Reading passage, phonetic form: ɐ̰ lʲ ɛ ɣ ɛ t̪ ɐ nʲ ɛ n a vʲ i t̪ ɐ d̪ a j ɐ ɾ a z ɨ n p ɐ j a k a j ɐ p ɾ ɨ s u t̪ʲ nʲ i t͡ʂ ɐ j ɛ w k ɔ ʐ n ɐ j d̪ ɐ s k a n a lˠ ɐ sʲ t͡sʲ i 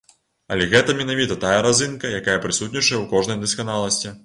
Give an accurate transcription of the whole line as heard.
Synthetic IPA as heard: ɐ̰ lʲ ɛ ɣ ɛ t̪ ɐ mʲ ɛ n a vʲ i t̪ ɐ t̪ a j ɐ ɾ a z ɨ n k ɐ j a k a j ɐ p ɾ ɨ s u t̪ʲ nʲ i t͡ʂ ɐ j ɛ w k ɔ ʐ n ɐ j d̪ ɐ s k a n a lˠ ɐ sʲ t͡sʲ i